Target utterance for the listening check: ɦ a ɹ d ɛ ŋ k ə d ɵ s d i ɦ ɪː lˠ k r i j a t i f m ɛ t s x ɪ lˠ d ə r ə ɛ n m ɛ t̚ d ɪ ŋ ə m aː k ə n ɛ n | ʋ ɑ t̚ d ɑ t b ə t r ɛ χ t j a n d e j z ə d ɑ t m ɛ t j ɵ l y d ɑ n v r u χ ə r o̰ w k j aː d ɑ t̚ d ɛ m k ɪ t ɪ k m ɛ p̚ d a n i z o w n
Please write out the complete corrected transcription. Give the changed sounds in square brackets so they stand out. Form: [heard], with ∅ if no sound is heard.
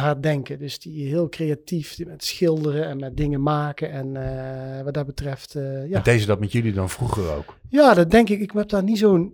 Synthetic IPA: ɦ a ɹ d ɛ ŋ k ə d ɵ s d i ɦ ɪː lˠ k r [e] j a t i f m ɛ t s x ɪ lˠ d ə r ə ɛ n m ɛ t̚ d ɪ ŋ ə m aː k ə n ɛ n | ʋ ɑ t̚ d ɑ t b ə t r ɛ [f] t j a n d e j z ə d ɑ t m ɛ t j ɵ l [i] d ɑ n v r u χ ə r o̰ w k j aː d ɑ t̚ d ɛ [ŋ] k ɪ [k] ɪ k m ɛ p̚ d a n i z o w n